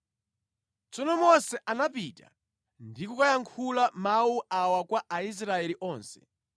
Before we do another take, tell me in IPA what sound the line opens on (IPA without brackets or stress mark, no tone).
t͡s